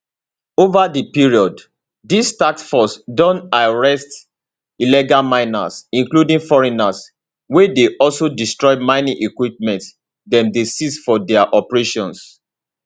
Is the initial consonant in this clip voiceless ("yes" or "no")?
no